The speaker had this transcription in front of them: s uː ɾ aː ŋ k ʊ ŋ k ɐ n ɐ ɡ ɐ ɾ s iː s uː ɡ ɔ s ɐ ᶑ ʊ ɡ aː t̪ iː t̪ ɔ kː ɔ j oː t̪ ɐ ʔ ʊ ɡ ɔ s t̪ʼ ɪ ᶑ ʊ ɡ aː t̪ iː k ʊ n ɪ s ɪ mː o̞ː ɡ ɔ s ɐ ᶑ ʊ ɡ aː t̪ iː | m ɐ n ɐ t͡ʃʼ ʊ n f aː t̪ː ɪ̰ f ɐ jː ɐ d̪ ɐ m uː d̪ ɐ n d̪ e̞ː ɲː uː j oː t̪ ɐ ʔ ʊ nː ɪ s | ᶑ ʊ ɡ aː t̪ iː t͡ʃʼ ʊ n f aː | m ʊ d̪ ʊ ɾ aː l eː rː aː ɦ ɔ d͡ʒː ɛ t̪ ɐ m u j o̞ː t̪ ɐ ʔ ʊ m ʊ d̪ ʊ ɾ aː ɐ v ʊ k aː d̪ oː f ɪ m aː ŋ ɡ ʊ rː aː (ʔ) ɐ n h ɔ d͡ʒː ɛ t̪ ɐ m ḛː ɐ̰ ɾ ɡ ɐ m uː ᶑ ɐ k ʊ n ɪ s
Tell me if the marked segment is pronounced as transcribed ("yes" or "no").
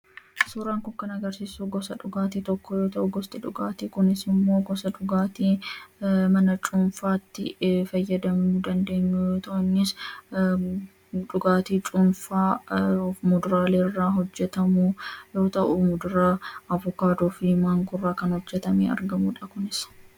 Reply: no